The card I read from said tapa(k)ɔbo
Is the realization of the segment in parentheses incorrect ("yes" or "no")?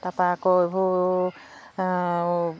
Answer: no